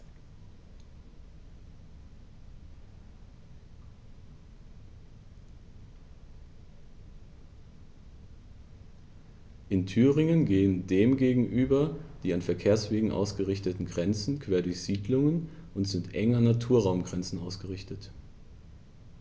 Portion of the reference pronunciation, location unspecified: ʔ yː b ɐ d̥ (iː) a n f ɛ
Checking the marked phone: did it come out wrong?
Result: no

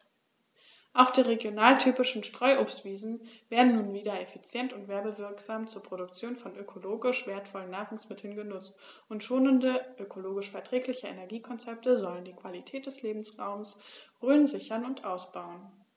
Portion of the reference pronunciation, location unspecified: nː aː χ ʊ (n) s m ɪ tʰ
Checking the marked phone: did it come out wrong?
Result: yes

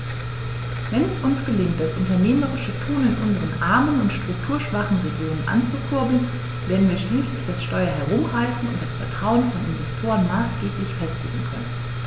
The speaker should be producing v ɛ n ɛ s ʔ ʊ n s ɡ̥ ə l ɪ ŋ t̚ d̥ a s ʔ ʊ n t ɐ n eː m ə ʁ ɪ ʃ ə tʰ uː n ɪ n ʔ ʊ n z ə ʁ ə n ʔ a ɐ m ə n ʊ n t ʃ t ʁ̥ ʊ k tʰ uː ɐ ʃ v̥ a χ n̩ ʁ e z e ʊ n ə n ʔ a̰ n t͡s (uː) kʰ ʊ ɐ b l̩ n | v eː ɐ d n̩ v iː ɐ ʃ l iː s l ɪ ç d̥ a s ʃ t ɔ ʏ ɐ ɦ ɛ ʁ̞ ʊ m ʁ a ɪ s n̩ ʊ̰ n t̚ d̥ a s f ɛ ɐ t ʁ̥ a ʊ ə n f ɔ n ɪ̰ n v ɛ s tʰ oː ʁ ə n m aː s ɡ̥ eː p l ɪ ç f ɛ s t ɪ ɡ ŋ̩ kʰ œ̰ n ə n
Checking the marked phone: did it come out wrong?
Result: yes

